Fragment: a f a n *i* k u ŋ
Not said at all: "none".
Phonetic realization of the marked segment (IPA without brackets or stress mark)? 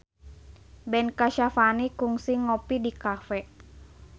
i